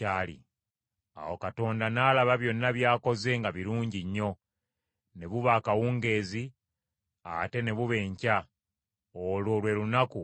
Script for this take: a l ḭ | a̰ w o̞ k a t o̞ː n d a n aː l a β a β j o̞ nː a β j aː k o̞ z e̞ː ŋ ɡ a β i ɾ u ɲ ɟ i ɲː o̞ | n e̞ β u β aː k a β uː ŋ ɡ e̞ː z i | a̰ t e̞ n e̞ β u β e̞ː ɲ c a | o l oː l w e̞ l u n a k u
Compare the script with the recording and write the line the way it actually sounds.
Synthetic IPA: a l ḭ | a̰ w o̞ k a t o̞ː n d a n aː l a β a β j o̞ nː a β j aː k o̞ z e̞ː ŋ ɡ a β i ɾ uː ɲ ɟ i ɲː o̞ | n e̞ β u β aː k a w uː ŋ ɡ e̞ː z i | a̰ t e̞ n e̞ β u β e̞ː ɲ c a | o l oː l w e̞ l u n a k u